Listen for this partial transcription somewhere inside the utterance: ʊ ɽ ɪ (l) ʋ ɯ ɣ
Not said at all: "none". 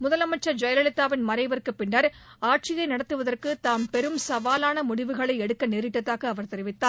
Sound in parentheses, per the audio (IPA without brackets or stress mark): none